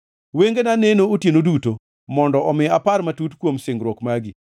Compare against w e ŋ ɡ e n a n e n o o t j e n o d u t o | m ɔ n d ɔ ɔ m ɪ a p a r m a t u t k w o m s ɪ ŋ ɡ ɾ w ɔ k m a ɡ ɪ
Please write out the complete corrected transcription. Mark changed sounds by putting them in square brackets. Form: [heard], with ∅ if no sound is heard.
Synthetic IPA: w e ŋ ɡ e n a n e n o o t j e n o d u t o | m ɔ n d ɔ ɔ m ɪ a p a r m a t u t k w o m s ɪ ŋ ɡ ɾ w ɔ k m a ɡ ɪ